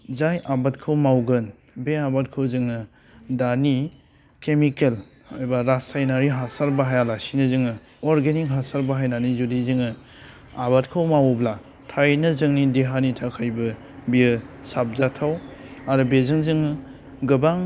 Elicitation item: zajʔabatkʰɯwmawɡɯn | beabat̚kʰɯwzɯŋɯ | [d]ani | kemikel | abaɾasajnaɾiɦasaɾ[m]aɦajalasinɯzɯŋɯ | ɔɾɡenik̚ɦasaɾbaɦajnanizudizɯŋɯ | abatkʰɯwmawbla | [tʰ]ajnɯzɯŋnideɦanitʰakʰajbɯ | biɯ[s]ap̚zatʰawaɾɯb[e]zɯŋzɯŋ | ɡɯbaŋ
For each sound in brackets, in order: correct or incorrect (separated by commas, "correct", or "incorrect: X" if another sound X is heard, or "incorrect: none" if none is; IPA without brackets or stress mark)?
correct, incorrect: b, correct, correct, correct